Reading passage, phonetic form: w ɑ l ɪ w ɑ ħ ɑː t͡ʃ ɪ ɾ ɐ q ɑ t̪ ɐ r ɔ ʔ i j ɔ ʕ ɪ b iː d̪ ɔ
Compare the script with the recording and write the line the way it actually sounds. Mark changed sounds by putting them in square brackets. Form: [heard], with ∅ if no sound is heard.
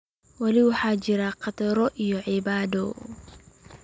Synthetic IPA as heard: w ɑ l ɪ w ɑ ħ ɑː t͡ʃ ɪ ɾ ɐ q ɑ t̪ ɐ [ɾ] ɔ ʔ i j ɔ ʕ ɪ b [aː] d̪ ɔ